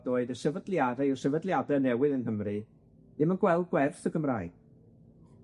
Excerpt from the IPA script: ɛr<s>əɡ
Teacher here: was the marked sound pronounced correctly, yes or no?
no